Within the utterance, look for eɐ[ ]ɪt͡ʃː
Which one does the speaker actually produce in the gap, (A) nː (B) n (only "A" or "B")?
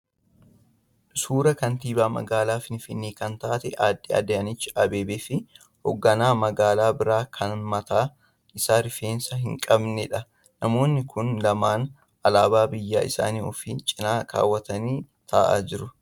B